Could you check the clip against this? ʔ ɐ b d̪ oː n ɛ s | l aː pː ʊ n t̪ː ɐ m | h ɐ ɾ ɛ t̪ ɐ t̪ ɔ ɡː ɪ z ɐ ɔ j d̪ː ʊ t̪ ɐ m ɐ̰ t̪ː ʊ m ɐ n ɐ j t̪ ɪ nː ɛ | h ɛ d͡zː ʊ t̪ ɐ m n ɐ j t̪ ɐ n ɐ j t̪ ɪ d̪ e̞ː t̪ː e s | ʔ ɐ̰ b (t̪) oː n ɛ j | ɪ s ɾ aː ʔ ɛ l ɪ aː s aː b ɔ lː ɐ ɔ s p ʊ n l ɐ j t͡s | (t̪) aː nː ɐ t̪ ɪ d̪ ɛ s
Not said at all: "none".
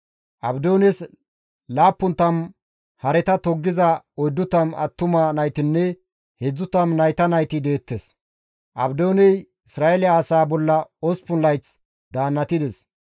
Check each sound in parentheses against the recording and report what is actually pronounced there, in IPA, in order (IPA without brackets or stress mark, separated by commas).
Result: d̪, d̪